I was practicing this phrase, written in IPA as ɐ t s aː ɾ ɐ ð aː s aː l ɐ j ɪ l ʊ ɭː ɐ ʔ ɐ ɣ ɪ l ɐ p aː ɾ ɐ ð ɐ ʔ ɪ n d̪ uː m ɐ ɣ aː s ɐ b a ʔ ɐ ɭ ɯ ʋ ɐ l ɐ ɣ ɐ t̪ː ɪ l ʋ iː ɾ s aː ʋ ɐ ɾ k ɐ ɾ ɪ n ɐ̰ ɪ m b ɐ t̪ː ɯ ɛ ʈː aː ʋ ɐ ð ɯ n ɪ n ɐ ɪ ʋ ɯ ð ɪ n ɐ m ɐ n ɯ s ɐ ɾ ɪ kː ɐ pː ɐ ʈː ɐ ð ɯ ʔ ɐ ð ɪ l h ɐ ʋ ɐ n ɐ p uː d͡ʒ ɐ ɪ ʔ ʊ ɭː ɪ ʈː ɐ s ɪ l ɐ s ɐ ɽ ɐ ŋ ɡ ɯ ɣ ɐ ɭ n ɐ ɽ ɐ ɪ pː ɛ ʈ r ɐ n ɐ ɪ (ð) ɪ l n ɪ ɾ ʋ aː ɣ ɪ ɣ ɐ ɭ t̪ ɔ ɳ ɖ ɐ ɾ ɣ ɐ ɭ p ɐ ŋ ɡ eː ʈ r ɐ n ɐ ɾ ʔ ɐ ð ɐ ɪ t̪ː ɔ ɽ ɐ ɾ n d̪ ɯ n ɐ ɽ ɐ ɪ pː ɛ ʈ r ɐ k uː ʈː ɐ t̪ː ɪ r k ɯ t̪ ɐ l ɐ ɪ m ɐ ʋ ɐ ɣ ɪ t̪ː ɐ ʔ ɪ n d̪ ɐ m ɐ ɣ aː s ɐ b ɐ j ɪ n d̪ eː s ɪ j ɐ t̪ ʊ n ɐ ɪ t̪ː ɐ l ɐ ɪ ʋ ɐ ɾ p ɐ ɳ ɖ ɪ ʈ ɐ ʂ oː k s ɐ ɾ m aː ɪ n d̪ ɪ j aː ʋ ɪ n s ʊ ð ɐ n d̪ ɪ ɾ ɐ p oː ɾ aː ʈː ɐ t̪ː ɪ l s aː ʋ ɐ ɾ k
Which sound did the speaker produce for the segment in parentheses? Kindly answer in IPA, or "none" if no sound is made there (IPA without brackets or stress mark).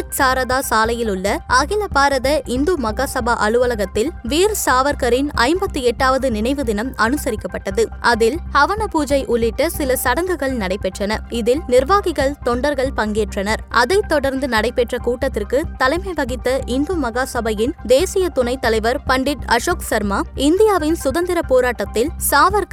ð